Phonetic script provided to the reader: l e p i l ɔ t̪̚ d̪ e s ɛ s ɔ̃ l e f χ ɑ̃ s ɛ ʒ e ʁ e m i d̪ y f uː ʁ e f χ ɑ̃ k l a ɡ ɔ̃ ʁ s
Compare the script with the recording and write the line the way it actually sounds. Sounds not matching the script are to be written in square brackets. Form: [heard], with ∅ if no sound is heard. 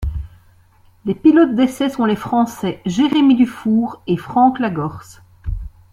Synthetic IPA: l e p i l ɔ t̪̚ d̪ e s ɛ s ɔ̃ l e f χ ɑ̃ s ɛ ʒ e ʁ e m i d̪ y f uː ʁ e f χ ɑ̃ k l a ɡ [ɔ] ʁ s

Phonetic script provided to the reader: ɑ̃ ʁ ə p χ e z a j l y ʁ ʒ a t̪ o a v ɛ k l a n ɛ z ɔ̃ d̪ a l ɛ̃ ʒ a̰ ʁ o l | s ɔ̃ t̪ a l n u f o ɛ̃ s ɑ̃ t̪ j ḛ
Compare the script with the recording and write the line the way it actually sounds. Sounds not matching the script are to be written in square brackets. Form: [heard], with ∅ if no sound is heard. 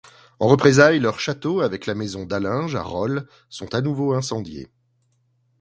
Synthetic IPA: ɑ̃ ʁ ə p χ e z a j l [œ] ʁ [ʃ] a t̪ o a v ɛ k l a [m] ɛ z ɔ̃ d̪ a l ɛ̃ ʒ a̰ ʁ [ɔ] l | s ɔ̃ t̪ a [∅] n u [v] o ɛ̃ s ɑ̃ [d̪] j ḛ

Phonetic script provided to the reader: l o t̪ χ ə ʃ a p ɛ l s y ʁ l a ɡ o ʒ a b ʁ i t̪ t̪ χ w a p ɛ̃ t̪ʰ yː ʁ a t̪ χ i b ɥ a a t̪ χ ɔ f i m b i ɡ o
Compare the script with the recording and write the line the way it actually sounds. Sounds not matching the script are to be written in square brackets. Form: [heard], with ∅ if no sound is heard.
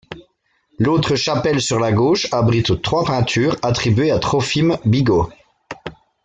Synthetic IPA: l o t̪ χ ə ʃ a p ɛ l s y ʁ l a ɡ o [ʃ] a b ʁ i t̪ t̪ χ w a p ɛ̃ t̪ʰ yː ʁ a t̪ χ i b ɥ [e] a t̪ χ ɔ f i m b i ɡ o

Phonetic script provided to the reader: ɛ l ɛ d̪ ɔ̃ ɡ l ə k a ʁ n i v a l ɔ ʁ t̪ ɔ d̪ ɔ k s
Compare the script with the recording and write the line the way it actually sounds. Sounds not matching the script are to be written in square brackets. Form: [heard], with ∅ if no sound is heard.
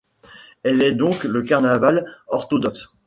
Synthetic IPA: ɛ l ɛ d̪ ɔ̃ [k] l ə k a ʁ n [a] v a l ɔ ʁ t̪ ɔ d̪ ɔ k s

